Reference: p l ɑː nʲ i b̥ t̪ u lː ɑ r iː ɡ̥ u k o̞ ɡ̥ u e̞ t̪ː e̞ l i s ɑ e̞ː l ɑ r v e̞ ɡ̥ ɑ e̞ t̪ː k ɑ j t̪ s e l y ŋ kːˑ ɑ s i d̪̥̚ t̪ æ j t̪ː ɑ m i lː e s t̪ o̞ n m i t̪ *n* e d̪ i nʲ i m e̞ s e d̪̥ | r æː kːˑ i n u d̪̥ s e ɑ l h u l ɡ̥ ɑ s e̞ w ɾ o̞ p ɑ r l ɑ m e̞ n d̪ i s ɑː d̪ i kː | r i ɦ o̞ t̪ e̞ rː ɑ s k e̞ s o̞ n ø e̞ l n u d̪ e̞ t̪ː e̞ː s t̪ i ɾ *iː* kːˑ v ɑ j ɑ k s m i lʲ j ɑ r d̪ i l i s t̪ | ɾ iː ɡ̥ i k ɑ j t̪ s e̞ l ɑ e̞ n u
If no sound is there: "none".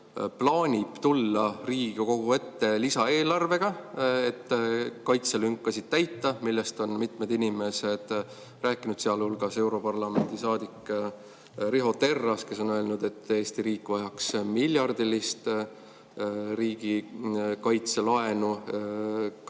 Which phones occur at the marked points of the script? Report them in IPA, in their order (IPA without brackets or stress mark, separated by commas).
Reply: m, iː